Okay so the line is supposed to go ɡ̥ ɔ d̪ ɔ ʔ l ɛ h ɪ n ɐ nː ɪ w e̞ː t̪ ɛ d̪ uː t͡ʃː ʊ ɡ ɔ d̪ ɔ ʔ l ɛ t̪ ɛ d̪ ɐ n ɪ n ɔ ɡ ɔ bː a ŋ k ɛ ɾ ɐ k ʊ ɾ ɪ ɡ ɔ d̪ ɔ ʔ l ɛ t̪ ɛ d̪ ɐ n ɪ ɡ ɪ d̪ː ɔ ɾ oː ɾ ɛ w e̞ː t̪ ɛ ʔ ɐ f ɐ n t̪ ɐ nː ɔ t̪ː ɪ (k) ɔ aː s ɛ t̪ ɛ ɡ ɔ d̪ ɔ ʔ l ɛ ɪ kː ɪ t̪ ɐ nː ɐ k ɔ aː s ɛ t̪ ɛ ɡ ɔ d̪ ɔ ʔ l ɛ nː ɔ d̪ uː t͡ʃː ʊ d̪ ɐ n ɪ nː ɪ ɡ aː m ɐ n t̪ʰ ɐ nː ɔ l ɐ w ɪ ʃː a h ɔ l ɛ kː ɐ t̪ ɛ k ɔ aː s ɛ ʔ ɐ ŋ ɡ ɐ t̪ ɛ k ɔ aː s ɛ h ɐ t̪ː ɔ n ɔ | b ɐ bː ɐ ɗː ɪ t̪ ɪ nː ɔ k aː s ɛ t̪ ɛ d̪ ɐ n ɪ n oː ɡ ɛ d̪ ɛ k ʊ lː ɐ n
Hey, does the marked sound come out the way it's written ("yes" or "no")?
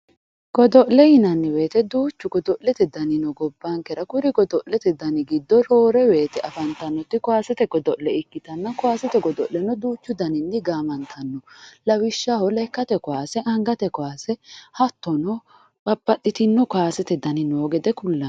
yes